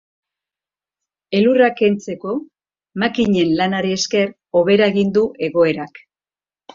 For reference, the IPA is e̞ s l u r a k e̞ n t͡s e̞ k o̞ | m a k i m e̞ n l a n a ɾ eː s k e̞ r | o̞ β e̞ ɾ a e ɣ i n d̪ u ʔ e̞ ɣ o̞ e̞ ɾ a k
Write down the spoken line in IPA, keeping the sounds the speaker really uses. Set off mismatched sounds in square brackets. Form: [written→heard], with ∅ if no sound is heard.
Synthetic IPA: e̞ [s→∅] l u r a k e̞ n t͡s e̞ k o̞ | m a k i [m→ɲ] e̞ n l a n a ɾ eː s k e̞ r | o̞ β e̞ ɾ a e ɣ i n d̪ u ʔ e̞ ɣ o̞ e̞ ɾ a k